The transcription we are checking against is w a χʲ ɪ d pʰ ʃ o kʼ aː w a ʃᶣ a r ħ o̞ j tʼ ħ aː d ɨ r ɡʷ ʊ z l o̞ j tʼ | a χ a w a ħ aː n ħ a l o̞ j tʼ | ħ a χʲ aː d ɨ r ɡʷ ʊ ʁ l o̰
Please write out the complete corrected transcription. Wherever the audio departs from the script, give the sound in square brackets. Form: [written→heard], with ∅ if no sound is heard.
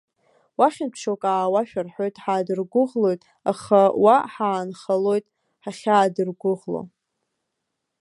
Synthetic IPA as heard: w a χʲ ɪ [d→n] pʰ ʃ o kʼ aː w a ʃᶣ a r ħ o̞ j tʼ ħ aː d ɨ r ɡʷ ʊ [z→ʁ] l o̞ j tʼ | a χ a w a ħ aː n [ħ→χ] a l o̞ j tʼ | ħ a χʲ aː d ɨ r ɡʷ ʊ ʁ l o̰